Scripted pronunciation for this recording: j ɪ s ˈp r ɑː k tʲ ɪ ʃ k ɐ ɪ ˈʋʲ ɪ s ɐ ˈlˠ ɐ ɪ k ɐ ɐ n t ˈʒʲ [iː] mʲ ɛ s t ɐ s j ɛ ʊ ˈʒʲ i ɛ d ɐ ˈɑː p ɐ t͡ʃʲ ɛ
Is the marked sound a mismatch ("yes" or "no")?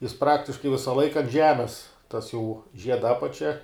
yes